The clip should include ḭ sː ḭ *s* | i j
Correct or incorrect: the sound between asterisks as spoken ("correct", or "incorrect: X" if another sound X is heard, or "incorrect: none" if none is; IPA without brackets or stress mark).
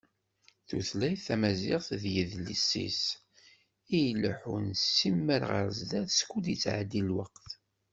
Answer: correct